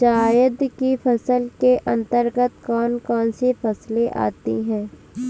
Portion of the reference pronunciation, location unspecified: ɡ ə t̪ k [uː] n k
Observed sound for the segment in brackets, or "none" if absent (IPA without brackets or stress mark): ɔː